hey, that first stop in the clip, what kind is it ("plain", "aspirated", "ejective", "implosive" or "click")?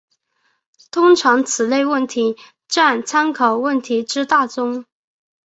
aspirated